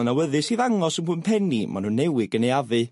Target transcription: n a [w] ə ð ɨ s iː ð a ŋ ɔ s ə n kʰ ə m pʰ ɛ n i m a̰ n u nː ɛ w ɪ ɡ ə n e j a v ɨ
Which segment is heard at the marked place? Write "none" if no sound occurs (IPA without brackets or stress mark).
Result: w